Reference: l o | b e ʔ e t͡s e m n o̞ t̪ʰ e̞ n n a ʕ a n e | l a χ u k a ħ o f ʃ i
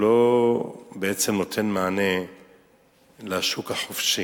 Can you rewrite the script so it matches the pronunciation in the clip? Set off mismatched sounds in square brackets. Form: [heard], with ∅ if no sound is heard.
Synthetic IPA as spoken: l o | b e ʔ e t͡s e m n o̞ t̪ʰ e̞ n [m] a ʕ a n e | l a [ʃ] u k a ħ o f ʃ i